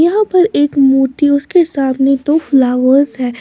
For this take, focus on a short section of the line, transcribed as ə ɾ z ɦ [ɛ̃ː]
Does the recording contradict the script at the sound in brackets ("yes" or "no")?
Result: yes